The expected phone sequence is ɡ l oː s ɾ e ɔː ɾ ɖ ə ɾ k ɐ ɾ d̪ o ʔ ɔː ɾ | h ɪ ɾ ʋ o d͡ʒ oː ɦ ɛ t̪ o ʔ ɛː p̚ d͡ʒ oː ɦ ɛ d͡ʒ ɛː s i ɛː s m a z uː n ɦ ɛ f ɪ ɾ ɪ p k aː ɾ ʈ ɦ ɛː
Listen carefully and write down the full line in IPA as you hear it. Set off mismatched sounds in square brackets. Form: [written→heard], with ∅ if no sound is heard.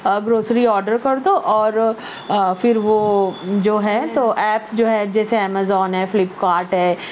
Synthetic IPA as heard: ɡ [l→ɾ] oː s ɾ [e→i] ɔː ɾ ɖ ə ɾ k ɐ ɾ d̪ o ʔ ɔː ɾ | [h→f] ɪ ɾ ʋ o d͡ʒ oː ɦ ɛ t̪ o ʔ ɛː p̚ d͡ʒ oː ɦ ɛ d͡ʒ ɛː s [i→e] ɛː [s→∅] m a z [uː→ɔː] n ɦ ɛ f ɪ [ɾ→l] ɪ p k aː ɾ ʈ ɦ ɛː